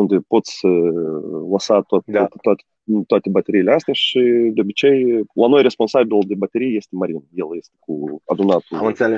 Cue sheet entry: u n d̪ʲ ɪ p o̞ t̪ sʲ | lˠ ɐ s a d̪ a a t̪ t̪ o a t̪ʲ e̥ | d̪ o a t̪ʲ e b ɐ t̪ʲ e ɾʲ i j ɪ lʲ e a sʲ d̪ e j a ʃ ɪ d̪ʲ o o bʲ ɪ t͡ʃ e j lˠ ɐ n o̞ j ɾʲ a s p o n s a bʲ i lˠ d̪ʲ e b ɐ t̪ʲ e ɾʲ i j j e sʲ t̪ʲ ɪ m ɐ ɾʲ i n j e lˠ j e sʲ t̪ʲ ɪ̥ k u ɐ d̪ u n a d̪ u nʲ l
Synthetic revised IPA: u n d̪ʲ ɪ p o̞ t̪ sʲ | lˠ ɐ s a t̪ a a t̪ t̪ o a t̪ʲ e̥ | t̪ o a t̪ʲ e b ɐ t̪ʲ e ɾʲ i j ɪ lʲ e a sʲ t̪ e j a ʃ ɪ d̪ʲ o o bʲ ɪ t͡ʃ e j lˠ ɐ n o̞ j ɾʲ e s p o n s a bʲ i lˠ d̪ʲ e b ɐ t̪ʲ e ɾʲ i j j e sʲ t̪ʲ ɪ m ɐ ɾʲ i n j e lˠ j e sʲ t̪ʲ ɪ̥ k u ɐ d̪ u n a t̪ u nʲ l